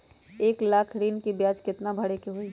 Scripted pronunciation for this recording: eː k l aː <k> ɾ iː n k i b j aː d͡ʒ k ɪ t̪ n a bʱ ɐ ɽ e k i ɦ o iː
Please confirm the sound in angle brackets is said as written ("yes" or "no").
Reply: no